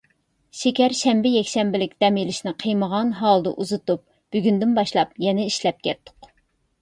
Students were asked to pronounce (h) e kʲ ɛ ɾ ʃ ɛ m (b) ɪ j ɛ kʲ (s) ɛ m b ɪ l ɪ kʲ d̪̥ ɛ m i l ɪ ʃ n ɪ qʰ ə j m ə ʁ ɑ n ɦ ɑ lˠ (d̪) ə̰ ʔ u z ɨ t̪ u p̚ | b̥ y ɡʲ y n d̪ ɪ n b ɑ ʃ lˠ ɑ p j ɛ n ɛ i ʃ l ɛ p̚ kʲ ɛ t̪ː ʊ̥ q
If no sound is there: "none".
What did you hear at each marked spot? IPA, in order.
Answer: ʃ, b, ʃ, d̪

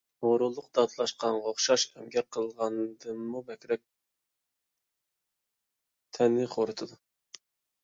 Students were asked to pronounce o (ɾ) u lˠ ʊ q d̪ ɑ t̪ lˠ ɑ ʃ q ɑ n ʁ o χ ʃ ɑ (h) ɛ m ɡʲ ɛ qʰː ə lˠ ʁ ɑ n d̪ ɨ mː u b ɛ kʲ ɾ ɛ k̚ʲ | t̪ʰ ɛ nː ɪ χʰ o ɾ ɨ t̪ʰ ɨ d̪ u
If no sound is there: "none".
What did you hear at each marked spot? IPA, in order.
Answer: ɾ, ʃ

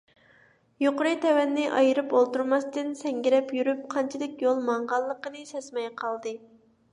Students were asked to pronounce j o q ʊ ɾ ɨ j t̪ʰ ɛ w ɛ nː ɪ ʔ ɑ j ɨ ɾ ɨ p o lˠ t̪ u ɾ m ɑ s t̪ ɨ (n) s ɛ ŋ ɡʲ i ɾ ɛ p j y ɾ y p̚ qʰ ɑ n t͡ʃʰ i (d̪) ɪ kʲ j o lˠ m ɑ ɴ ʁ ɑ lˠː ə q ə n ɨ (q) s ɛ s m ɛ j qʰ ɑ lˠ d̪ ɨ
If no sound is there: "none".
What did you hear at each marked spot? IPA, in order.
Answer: n, d̪, none

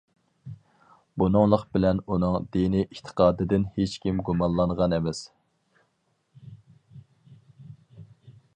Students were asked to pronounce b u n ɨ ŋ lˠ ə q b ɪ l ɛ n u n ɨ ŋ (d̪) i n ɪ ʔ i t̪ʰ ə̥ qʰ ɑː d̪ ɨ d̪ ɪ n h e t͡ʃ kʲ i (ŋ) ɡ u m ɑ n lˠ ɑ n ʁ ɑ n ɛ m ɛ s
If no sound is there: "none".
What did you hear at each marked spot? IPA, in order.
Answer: d̪, m

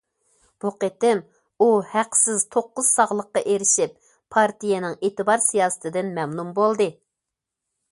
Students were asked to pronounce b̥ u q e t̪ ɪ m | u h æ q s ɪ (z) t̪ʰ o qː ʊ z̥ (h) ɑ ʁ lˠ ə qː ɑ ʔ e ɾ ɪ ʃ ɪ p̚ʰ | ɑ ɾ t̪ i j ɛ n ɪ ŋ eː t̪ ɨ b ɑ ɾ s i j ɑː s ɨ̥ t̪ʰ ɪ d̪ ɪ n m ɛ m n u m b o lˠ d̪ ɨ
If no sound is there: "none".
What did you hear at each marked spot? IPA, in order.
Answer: z, s

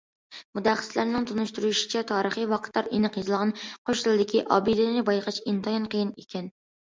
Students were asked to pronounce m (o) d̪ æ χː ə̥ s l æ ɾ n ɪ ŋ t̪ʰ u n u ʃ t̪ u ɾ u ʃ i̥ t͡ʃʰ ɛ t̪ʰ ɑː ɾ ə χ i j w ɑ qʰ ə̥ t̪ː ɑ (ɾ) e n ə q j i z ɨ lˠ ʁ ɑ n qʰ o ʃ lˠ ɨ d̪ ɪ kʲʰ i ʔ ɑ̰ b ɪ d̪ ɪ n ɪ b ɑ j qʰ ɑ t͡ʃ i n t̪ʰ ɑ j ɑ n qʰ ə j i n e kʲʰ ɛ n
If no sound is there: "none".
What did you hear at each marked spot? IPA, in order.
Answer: u, ɾ

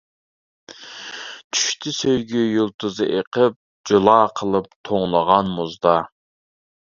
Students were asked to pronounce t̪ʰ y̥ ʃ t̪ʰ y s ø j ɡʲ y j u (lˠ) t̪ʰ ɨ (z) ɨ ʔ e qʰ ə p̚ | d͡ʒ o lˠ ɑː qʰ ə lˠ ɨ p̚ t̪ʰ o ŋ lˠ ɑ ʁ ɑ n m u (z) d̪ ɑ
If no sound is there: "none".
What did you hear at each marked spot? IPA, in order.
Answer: lˠ, z, z

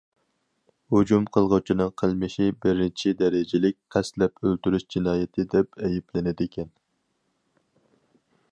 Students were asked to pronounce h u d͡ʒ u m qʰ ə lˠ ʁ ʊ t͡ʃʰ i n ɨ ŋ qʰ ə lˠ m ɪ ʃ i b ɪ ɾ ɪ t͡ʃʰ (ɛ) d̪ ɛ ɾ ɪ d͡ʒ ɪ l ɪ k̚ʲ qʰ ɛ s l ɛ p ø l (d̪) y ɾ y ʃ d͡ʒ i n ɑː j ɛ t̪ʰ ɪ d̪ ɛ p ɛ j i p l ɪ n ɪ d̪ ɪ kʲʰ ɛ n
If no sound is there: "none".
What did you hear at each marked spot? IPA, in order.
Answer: i, t̪

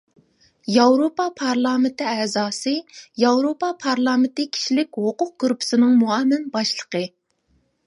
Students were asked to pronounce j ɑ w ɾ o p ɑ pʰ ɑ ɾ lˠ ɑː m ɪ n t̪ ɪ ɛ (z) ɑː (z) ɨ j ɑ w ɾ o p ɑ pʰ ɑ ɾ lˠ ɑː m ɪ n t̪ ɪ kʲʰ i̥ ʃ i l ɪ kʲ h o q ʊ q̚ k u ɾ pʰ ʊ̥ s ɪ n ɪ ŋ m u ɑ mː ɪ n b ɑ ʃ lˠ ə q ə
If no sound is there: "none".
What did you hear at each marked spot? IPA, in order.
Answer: z, s

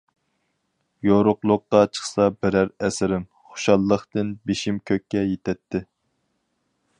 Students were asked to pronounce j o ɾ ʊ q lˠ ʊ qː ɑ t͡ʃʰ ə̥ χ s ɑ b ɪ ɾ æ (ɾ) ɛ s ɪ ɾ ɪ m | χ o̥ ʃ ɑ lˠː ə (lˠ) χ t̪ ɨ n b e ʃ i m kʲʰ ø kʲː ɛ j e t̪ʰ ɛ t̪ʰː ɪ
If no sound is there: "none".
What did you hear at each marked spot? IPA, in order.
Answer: ɾ, none

